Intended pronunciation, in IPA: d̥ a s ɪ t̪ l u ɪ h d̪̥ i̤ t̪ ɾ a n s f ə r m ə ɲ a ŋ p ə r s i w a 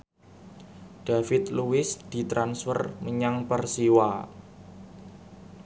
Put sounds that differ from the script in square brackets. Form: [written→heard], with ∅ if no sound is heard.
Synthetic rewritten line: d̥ a [s→f] ɪ t̪ l u ɪ [h→s] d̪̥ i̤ t̪ ɾ a n s f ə r m ə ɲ a ŋ p ə r s i w a

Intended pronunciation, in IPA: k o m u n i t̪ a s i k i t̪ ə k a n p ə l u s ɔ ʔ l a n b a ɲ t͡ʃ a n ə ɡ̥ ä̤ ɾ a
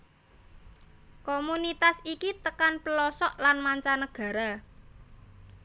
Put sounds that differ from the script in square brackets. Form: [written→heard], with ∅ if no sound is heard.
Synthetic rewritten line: k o m u n i t̪ a s i k i t̪ ə k a n p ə l [u→ɔ] s ɔ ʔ l a n [b→m] a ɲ t͡ʃ a n ə ɡ̥ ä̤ ɾ a

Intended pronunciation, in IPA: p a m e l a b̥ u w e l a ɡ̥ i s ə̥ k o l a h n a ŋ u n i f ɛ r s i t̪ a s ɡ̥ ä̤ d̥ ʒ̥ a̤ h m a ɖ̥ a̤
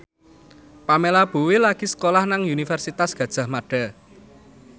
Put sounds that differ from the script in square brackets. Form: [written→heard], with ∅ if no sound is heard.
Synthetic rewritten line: p a m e l a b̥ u w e l a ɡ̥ i s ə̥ k o l a h n a ŋ u n i f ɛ r s i t̪ a s ɡ̥ ä̤ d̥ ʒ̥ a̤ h m a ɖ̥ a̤

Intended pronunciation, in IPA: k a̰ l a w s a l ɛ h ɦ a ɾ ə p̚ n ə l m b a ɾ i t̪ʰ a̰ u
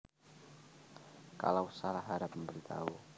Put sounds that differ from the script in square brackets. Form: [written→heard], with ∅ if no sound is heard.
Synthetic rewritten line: k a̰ l a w s a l [ɛ→a] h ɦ a ɾ [ə→a] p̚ [n→m] ə [l→∅] m b [a→ə] ɾ i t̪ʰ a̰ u

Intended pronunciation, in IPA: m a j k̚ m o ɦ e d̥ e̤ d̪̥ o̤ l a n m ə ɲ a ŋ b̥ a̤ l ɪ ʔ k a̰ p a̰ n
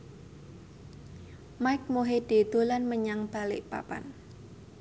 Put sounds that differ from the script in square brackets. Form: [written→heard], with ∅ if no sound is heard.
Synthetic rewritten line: m a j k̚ m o ɦ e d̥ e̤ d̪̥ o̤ l a n m ə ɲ a ŋ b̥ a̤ l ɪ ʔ [k→p] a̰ p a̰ n

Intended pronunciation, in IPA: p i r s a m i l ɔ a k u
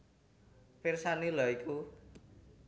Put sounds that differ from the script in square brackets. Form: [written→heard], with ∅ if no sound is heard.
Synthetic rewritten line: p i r s a [m→n] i l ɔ [a→i] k u

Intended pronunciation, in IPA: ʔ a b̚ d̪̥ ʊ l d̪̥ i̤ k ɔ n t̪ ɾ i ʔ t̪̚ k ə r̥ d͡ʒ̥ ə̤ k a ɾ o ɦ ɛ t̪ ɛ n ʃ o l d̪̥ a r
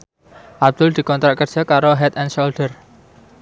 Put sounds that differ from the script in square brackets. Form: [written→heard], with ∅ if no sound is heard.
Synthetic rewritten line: ʔ a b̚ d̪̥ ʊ l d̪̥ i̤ k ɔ n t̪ ɾ [i→a] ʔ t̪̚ k ə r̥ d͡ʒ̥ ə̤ k a ɾ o ɦ ɛ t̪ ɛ n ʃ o l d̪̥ [a→ə] r

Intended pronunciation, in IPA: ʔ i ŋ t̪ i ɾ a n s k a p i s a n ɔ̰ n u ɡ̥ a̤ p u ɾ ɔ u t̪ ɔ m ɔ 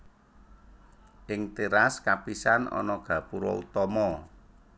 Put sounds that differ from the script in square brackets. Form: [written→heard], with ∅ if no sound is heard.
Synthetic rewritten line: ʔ [i→ɪ] ŋ t̪ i ɾ a [n→∅] s k a p i s a n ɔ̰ n [u→ɔ] ɡ̥ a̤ p u ɾ ɔ u t̪ ɔ m ɔ

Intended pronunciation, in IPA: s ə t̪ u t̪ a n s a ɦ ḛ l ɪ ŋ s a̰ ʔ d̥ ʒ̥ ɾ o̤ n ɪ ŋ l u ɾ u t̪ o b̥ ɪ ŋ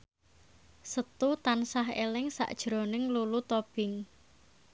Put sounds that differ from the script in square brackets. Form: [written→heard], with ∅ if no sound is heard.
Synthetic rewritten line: s ə t̪ u t̪ a n s a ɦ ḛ l ɪ ŋ s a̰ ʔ d̥ ʒ̥ ɾ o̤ n ɪ ŋ l u [ɾ→l] u t̪ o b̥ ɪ ŋ

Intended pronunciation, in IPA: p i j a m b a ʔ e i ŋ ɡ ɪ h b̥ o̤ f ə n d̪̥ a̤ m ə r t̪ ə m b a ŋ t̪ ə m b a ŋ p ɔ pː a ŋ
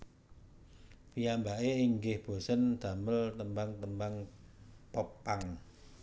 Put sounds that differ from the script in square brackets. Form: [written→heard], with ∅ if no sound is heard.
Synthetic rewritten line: p i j a m b a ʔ e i ŋ ɡ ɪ h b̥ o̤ [f→s] ə n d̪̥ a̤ m ə [r→l] t̪ ə m b a ŋ t̪ ə m b a ŋ p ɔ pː a ŋ

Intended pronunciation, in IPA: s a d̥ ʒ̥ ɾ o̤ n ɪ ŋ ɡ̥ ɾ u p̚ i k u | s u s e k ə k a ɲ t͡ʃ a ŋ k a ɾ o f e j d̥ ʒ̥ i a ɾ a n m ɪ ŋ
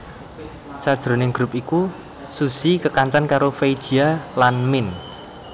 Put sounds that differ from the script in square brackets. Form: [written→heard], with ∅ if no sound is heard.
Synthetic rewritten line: s a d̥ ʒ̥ ɾ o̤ n ɪ ŋ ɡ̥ ɾ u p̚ i k u | s u s [e→i] k ə k a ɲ t͡ʃ a [ŋ→n] k a ɾ o f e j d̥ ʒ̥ i a [ɾ→l] a n m ɪ [ŋ→n]

